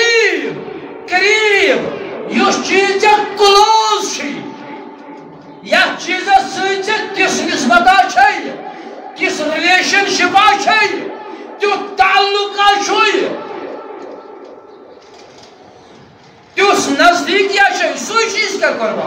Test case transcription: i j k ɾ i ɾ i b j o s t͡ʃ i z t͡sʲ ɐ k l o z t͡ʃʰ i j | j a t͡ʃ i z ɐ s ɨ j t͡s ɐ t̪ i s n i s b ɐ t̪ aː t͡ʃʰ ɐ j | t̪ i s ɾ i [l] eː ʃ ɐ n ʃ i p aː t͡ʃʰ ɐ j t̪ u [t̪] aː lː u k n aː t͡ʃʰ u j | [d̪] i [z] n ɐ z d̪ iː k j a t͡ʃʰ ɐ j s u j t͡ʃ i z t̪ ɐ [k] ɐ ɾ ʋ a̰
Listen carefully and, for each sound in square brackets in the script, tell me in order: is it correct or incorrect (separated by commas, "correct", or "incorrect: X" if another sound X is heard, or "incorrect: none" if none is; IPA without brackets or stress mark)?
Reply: correct, correct, incorrect: t̪, incorrect: s, correct